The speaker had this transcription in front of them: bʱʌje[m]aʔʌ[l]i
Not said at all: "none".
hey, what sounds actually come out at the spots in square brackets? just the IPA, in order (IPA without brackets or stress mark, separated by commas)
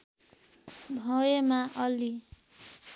m, l